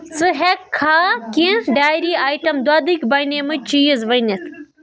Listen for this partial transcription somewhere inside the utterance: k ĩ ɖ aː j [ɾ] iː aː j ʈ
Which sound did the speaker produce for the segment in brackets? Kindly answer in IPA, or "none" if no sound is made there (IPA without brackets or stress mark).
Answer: ɾ